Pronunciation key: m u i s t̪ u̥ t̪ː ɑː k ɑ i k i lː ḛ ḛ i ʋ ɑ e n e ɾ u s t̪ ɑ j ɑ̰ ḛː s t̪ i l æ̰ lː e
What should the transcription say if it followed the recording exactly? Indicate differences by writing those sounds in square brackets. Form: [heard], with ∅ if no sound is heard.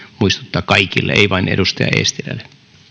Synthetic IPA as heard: m u i s t̪ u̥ t̪ː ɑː k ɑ i k i lː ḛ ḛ i ʋ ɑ [i] n e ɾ u s t̪ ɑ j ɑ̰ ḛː s t̪ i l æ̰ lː e